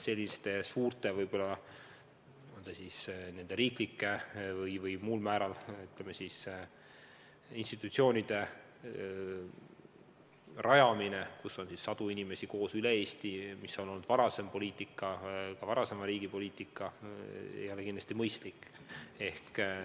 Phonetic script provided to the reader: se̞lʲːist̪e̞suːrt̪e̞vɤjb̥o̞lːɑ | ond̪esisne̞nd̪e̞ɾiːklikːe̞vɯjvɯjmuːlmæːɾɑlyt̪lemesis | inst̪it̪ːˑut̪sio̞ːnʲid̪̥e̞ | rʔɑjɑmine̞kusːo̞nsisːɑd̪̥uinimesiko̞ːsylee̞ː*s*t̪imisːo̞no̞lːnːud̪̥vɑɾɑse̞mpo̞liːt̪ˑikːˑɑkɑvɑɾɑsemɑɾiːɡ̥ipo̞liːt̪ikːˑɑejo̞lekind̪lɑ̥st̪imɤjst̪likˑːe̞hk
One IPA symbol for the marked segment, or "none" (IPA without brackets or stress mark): s